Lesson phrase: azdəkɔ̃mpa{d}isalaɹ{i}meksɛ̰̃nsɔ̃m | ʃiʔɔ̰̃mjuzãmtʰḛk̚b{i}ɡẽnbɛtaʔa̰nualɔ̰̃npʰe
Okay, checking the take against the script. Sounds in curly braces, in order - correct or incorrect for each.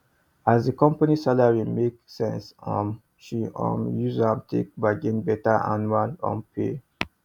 incorrect: n, correct, incorrect: a

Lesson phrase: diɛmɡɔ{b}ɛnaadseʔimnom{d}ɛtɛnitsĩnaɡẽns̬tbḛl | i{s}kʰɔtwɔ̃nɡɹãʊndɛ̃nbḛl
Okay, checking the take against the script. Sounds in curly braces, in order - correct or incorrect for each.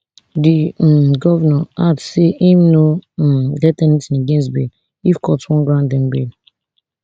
incorrect: v, correct, incorrect: f

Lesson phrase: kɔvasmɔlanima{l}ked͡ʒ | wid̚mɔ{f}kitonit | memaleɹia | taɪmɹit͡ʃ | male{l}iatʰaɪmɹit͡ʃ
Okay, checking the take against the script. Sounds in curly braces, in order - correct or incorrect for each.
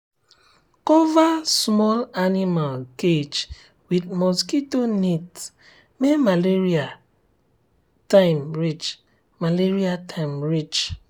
correct, incorrect: s, incorrect: ɹ

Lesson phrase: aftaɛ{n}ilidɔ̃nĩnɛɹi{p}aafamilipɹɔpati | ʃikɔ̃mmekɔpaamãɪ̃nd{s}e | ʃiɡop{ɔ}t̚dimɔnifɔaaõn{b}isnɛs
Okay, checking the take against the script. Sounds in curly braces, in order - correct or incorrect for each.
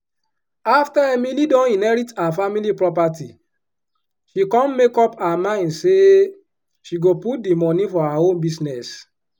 incorrect: m, incorrect: t, correct, incorrect: u, correct

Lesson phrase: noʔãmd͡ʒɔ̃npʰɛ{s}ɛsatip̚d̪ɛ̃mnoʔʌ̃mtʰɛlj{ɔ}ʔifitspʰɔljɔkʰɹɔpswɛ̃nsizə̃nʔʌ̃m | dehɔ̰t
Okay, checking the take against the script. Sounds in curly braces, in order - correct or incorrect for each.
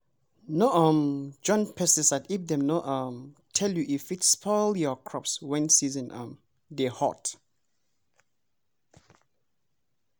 correct, incorrect: u

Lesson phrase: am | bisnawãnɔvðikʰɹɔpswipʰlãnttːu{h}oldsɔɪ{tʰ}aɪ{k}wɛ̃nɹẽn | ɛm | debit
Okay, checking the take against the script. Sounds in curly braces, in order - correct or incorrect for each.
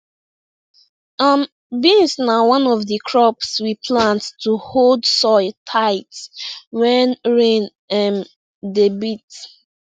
correct, correct, incorrect: t

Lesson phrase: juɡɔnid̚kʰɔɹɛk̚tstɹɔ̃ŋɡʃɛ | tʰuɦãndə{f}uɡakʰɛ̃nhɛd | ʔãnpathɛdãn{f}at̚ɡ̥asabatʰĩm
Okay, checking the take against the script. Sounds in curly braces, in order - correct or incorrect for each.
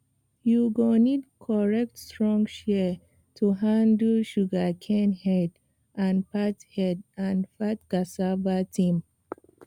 incorrect: ʃ, correct

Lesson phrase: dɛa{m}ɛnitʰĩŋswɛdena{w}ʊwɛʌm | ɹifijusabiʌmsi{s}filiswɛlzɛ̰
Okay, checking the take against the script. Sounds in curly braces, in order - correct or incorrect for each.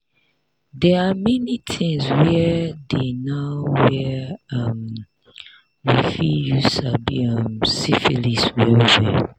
correct, incorrect: none, incorrect: none

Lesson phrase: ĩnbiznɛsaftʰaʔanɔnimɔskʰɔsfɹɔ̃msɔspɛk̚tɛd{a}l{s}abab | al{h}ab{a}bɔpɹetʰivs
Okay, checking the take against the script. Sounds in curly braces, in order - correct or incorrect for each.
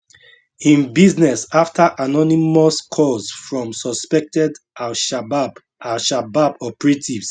correct, incorrect: ʃ, incorrect: ʃ, correct

